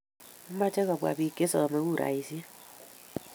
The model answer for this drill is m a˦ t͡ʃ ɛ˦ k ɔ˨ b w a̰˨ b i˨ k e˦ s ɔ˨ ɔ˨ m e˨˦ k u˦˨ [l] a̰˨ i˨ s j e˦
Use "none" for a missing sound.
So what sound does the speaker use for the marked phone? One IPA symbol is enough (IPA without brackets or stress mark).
ɾ